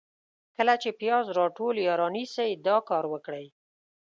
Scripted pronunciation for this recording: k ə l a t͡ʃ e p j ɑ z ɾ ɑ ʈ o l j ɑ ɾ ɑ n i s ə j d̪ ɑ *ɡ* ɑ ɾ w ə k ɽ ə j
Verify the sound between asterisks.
incorrect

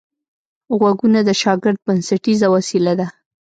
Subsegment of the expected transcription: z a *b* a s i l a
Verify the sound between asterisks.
incorrect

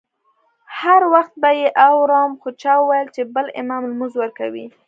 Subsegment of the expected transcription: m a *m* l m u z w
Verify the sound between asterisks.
correct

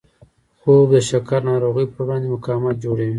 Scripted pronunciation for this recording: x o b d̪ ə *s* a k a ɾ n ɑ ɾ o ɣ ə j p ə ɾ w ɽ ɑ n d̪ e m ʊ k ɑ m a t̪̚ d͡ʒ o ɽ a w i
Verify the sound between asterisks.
incorrect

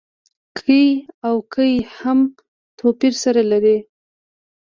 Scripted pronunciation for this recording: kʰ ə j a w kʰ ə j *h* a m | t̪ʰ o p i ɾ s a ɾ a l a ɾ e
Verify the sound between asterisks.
correct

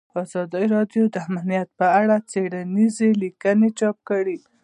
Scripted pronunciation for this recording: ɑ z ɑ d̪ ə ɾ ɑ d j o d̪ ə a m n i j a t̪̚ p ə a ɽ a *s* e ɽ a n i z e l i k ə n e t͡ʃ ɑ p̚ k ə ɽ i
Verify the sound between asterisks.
incorrect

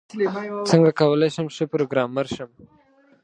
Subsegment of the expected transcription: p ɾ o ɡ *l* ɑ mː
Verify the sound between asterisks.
incorrect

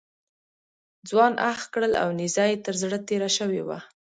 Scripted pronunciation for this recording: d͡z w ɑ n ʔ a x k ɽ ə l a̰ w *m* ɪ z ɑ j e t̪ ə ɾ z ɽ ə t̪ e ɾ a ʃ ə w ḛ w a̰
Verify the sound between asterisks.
incorrect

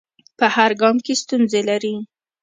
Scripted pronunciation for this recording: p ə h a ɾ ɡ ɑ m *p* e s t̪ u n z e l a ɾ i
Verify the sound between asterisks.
incorrect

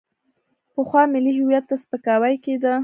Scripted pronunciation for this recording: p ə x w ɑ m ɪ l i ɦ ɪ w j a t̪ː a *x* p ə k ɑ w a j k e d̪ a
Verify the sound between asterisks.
incorrect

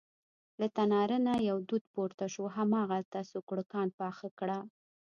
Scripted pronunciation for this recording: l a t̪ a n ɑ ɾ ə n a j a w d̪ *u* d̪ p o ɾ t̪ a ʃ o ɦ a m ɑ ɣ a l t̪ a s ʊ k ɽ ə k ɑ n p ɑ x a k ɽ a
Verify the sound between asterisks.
correct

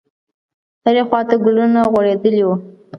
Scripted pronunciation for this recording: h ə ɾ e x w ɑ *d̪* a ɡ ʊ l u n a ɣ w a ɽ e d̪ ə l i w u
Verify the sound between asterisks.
incorrect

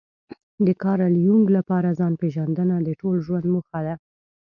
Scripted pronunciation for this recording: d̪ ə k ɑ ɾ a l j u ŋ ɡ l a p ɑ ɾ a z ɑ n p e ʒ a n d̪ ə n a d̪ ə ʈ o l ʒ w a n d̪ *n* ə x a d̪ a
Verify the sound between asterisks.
incorrect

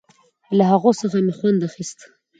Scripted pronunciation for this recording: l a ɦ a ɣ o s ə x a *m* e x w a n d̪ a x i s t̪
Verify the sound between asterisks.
correct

